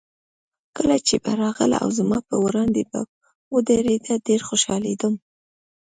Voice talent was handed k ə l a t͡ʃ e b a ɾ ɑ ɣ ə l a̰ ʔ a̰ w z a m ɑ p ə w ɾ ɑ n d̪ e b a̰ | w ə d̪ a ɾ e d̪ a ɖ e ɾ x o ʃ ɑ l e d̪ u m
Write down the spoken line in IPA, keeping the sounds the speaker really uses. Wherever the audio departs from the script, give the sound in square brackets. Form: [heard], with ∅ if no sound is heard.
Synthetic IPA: k ə l a t͡ʃ e b a ɾ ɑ ɣ ə l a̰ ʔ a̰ w z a m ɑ p ə w ɾ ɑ n d̪ e b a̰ | w ə d̪ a ɾ e d̪ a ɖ e ɾ x o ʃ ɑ l e d̪ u m